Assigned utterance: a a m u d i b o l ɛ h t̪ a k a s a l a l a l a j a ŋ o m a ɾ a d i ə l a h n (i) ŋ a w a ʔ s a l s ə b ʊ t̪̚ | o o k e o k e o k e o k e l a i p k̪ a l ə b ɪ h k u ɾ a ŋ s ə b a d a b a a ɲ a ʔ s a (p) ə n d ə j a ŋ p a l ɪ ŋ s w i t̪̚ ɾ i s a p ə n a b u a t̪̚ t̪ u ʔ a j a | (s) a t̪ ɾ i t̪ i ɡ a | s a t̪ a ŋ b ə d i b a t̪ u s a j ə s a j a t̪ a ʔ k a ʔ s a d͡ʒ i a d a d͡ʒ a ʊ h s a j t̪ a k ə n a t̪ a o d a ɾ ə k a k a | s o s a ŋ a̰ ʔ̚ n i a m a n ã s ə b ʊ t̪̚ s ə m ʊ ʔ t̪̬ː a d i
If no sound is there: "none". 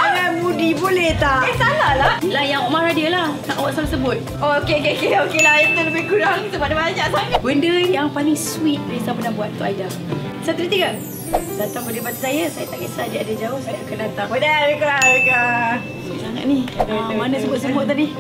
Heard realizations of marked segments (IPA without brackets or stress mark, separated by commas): a, b, s